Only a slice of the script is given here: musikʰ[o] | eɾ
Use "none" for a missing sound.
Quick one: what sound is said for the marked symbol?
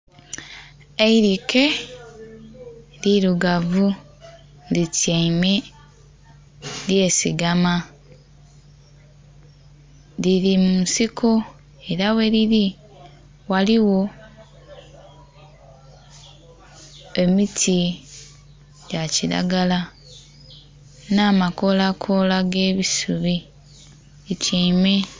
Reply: o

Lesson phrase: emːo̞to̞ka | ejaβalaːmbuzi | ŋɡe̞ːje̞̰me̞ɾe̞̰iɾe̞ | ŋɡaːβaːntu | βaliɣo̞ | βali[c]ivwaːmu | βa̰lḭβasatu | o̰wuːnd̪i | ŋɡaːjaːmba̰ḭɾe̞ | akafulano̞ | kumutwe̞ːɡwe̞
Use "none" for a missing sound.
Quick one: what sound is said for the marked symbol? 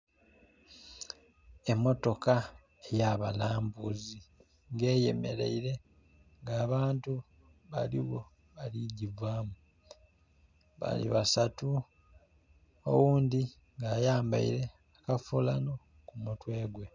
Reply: ɟ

